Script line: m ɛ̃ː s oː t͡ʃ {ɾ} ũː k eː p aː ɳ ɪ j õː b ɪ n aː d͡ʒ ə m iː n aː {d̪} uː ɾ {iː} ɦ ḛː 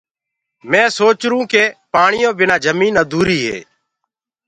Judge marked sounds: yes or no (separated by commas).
yes, yes, yes